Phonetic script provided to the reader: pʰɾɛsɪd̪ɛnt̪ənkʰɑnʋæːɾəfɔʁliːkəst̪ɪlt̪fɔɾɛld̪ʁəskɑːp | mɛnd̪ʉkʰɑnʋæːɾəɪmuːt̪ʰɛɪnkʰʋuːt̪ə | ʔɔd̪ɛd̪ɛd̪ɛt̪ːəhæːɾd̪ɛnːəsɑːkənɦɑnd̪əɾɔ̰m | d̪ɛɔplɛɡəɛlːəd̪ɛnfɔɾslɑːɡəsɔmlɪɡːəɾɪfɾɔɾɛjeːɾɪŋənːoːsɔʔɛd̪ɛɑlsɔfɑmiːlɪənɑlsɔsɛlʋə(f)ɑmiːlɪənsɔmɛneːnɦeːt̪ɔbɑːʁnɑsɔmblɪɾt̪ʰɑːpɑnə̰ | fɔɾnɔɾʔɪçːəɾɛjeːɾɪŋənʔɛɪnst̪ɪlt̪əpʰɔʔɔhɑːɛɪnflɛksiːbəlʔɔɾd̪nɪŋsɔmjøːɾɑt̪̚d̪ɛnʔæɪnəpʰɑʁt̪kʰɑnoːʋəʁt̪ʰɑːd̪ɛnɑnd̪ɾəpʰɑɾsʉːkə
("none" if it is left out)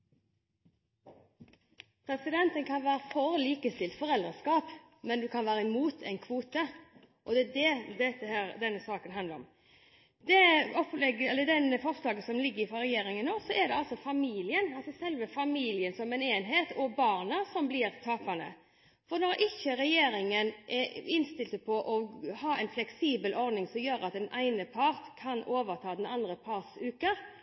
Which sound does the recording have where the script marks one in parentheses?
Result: f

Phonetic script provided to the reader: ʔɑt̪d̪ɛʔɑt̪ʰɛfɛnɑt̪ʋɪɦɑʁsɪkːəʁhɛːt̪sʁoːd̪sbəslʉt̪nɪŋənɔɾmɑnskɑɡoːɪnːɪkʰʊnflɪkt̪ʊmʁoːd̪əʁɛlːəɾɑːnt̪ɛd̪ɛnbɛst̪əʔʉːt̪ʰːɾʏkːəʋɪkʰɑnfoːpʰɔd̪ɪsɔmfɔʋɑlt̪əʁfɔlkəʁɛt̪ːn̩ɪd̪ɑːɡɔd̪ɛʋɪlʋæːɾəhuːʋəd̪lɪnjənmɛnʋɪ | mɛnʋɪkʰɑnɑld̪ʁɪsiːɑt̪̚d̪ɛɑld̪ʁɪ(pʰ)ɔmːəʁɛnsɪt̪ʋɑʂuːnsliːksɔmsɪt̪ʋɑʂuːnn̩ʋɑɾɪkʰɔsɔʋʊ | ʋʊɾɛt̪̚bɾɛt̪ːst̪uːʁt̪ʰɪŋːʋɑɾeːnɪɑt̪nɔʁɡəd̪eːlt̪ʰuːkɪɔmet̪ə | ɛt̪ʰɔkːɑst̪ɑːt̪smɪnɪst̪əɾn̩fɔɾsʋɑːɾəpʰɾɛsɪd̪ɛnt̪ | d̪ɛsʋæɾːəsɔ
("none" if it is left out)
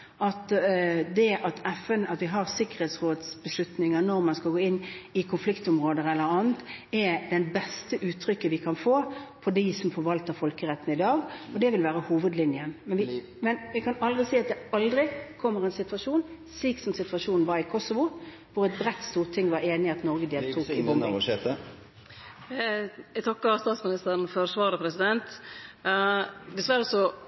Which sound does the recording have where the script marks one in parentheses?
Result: kʰ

